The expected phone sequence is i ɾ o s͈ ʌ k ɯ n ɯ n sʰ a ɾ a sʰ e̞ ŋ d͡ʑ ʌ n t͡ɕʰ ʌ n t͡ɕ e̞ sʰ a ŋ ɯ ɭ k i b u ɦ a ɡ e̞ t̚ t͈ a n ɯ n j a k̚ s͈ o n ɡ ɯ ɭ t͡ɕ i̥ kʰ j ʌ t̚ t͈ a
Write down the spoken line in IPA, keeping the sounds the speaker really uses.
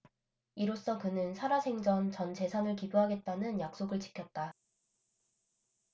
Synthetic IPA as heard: i ɾ o s͈ ʌ k ɯ n ɯ n sʰ a ɾ a sʰ e̞ ŋ d͡ʑ ʌ n t͡ɕ ʌ n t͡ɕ e̞ sʰ a n ɯ ɭ k i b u ɦ a ɡ e̞ t̚ t͈ a n ɯ n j a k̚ s͈ o ɡ ɯ ɭ t͡ɕ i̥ kʰ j ʌ t̚ t͈ a